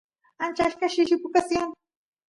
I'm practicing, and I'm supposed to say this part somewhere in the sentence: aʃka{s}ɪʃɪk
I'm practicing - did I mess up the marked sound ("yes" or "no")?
yes